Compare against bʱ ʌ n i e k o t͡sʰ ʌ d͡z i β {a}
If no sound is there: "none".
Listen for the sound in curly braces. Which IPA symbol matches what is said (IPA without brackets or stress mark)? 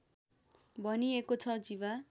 a